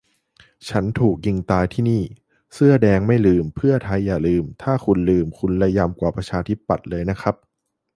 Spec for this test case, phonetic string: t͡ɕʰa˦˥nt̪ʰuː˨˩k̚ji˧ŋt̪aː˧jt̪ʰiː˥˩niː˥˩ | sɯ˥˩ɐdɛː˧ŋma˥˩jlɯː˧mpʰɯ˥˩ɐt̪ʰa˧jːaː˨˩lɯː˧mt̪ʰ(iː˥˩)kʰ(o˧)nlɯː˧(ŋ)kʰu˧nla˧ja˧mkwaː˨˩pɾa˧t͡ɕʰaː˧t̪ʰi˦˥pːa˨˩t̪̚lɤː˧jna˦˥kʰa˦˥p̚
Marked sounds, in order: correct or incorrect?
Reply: incorrect, incorrect, incorrect

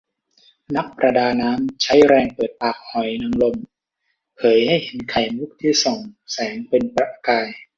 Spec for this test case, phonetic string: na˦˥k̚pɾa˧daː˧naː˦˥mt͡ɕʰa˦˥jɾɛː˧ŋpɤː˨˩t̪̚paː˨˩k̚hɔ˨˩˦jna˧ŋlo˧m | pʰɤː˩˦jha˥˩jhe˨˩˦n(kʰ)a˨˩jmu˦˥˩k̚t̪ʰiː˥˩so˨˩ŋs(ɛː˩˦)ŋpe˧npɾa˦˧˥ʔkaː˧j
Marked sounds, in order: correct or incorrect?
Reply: correct, correct

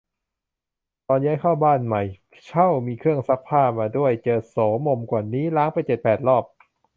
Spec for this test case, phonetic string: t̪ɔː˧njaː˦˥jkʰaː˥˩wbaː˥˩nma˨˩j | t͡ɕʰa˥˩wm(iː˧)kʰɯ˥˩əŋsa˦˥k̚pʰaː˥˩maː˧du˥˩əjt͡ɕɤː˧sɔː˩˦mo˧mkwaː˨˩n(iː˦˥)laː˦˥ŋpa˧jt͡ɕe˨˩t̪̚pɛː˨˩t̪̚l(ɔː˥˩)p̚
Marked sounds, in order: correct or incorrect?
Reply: correct, correct, correct

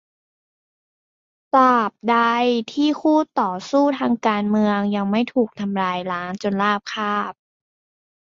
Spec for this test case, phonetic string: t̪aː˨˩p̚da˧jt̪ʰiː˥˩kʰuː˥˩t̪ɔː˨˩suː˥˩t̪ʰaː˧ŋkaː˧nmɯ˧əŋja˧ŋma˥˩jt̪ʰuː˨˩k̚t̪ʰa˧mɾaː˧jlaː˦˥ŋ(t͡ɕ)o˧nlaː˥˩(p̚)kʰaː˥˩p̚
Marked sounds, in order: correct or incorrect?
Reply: correct, correct

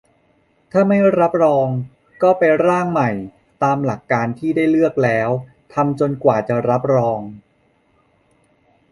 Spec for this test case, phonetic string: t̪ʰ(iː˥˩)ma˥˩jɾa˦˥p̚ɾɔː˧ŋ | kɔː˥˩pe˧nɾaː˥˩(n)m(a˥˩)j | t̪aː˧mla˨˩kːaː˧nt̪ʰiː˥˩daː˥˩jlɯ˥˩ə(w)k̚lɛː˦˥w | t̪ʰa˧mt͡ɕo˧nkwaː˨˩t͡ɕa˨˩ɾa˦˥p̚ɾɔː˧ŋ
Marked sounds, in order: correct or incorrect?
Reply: incorrect, incorrect, incorrect, incorrect

